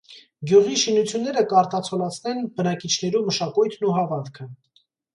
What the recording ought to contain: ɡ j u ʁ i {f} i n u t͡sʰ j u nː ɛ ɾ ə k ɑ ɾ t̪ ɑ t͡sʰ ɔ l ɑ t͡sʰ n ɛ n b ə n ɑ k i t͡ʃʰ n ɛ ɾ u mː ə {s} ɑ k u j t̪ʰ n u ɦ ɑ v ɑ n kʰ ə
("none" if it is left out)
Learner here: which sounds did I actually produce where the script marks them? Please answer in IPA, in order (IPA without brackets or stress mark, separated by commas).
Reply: ʃ, ʃ